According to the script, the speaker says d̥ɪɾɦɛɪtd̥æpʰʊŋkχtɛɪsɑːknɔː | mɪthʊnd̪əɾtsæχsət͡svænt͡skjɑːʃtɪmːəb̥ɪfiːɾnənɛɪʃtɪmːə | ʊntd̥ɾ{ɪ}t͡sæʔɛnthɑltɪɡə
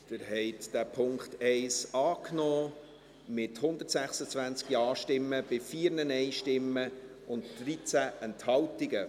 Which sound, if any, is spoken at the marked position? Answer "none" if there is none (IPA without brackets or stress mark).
i